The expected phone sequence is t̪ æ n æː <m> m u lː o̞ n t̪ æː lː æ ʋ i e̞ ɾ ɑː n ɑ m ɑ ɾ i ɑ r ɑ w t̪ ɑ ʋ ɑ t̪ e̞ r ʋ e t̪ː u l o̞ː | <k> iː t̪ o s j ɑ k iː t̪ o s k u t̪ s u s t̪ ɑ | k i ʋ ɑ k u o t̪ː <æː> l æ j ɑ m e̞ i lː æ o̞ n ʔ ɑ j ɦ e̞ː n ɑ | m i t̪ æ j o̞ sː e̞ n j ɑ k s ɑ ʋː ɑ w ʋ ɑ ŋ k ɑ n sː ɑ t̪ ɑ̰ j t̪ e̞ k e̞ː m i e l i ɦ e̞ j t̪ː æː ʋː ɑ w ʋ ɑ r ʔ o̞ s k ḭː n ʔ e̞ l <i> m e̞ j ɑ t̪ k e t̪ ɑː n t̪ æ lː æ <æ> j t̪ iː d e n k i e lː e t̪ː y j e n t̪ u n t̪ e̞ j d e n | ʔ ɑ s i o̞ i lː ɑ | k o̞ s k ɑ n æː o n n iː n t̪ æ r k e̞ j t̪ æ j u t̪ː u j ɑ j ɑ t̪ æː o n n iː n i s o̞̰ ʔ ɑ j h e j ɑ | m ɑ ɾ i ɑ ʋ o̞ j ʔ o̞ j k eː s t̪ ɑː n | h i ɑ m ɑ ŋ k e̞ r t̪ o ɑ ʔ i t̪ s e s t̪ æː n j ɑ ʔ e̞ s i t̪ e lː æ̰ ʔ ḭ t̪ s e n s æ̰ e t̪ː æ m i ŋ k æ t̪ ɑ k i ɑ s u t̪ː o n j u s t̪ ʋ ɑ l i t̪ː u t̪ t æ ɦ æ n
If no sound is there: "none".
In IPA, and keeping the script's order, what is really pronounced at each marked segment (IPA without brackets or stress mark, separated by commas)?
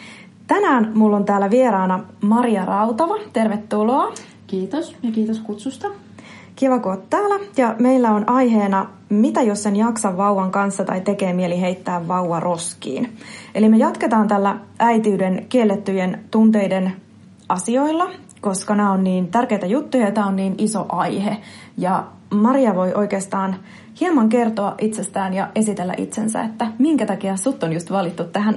n, k, æː, i, æ